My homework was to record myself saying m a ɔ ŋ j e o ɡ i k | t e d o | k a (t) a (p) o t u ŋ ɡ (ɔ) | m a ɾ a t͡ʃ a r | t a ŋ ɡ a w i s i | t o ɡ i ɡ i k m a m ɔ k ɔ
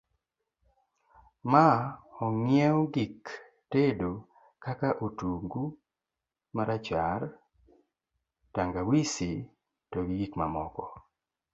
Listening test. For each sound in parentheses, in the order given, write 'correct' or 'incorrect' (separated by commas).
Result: incorrect, incorrect, incorrect